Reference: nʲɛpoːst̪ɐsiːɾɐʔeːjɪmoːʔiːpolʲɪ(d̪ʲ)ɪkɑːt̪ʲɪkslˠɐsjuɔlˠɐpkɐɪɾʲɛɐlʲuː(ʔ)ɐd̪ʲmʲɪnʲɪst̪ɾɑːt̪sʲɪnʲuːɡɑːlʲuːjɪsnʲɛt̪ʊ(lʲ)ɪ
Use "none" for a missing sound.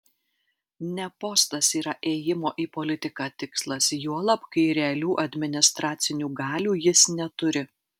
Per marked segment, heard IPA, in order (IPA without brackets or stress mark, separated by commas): t̪ʲ, ʔ, ɾʲ